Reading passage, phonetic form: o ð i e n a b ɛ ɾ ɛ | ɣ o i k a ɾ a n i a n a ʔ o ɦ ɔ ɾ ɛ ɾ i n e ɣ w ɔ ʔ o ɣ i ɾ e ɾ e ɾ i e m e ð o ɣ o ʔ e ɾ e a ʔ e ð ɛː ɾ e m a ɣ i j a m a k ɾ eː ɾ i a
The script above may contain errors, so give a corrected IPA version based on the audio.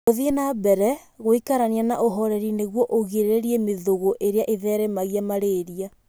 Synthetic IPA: o ð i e n a b ɛ ɾ ɛ | ɣ o i k a ɾ a n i a n a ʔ o ɦ ɔ ɾ ɛ ɾ i n e ɣ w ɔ ʔ o ɣ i ɾ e ɾ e ɾ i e m e ð o ɣ o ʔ e ɾ e a ʔ e ð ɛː ɾ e m a ɣ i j a m a ɾ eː ɾ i a